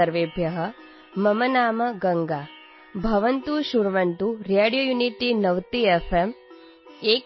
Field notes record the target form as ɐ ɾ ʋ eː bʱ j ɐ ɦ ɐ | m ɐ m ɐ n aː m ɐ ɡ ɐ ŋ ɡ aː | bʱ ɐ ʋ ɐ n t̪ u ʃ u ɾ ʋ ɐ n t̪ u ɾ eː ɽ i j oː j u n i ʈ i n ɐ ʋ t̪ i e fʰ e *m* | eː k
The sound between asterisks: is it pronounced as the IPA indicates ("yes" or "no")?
yes